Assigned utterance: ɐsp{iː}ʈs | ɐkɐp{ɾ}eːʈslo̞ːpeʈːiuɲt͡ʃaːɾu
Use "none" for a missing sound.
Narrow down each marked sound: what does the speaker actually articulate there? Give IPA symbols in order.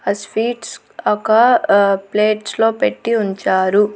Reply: iː, l

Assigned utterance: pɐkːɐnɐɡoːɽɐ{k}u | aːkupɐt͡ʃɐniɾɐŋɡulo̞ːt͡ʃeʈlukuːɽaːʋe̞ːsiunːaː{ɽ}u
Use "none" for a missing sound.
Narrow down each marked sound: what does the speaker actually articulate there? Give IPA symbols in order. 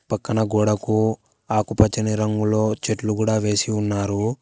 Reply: k, ɾ

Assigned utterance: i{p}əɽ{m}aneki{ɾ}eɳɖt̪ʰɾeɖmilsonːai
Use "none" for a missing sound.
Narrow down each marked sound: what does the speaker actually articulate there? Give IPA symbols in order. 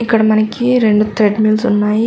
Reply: k, m, ɾ

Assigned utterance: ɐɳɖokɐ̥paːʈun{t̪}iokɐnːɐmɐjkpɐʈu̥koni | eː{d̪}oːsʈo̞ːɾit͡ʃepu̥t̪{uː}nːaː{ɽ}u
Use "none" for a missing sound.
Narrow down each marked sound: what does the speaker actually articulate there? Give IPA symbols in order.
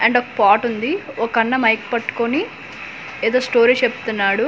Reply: d̪, d̪, u, ɽ

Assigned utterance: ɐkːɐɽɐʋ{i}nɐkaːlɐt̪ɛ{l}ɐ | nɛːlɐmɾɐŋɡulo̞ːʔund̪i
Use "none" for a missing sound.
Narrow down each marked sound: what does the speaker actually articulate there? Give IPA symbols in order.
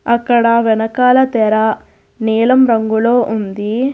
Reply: ɛ, ɾ

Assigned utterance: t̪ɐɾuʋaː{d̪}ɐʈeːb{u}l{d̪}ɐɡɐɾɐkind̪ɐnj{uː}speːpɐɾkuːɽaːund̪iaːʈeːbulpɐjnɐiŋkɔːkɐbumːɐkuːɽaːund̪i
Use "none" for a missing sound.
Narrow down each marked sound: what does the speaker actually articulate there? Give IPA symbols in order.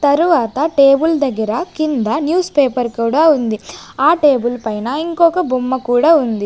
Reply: t̪, u, d̪, uː

